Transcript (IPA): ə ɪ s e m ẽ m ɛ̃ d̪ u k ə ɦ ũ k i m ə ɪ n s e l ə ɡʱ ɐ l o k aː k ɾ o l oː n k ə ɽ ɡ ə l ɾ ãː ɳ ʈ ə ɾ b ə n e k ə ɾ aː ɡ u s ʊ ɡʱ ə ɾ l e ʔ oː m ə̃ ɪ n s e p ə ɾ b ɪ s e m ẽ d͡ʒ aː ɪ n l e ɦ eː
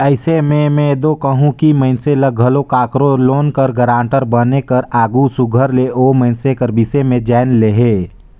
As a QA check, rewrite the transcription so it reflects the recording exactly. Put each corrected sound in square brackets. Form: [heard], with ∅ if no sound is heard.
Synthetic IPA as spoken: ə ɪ s e m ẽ m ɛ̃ d̪ [o] k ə ɦ ũ k i m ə ɪ n s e l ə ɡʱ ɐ l o k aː k ɾ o l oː n k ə [ɾ] ɡ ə [∅] ɾ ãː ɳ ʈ ə ɾ b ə n e k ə ɾ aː ɡ u s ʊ ɡʱ ə ɾ l e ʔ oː m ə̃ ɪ n s e [k] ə ɾ b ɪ s e m ẽ d͡ʒ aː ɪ n l e ɦ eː

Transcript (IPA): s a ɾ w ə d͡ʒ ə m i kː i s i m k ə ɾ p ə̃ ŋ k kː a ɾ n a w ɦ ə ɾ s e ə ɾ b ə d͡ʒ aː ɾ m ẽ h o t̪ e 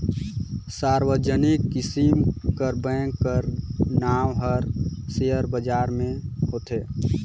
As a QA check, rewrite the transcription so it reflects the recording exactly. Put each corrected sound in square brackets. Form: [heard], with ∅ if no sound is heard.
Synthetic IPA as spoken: s a ɾ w ə d͡ʒ ə [n] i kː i s i m k ə ɾ [b] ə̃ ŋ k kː [ə] ɾ n a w ɦ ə ɾ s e ə ɾ b ə d͡ʒ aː ɾ m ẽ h o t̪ e

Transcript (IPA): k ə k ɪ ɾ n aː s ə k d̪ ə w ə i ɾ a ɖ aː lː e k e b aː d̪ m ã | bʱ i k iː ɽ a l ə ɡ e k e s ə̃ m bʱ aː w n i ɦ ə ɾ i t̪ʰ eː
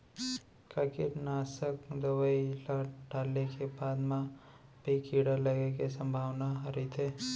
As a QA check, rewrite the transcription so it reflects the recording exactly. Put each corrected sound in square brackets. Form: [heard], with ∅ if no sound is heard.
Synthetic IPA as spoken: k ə k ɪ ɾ n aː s ə k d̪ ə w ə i [l] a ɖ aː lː e k e b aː d̪ m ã | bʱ i k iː ɽ a l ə ɡ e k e s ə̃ m bʱ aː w n [a] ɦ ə ɾ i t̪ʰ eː

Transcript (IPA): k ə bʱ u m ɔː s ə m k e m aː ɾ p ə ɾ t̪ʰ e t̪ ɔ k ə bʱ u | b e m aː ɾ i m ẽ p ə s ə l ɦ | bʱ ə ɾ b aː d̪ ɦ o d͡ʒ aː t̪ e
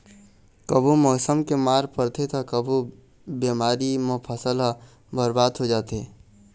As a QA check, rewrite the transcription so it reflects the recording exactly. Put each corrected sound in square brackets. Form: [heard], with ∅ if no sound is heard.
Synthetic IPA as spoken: k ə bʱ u m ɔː s ə m k e m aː ɾ p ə ɾ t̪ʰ e t̪ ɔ k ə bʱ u | b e m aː ɾ i m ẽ [pʰ] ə s ə l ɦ | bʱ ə ɾ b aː d̪ ɦ o d͡ʒ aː t̪ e

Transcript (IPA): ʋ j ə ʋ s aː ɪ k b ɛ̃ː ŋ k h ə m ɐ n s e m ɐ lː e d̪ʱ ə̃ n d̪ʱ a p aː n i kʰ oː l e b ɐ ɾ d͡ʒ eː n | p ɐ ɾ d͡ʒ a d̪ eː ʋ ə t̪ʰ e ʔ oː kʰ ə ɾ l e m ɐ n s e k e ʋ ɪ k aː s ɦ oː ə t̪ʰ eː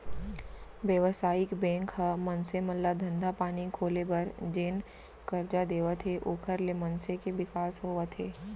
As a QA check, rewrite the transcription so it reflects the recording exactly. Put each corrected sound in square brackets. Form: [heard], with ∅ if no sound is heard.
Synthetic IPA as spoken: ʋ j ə ʋ s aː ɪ k b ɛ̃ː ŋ k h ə m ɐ n s e m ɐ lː [a] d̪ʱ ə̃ n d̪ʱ a p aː n i kʰ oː l e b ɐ ɾ d͡ʒ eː n | [k] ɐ ɾ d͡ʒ a d̪ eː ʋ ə t̪ʰ e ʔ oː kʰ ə ɾ l e m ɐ n s e k e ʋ ɪ k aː s ɦ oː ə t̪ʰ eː

